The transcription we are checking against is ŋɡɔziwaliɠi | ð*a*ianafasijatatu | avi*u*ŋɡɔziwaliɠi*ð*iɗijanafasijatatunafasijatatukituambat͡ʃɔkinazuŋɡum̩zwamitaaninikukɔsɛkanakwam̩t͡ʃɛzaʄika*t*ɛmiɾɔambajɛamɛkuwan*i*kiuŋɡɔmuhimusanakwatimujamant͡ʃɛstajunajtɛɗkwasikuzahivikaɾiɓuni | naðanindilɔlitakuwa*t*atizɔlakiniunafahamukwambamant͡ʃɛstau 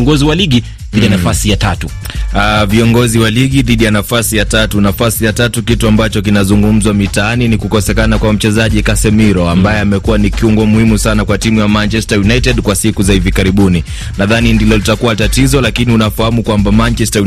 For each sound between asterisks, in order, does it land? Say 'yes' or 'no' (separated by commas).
no, no, yes, no, yes, yes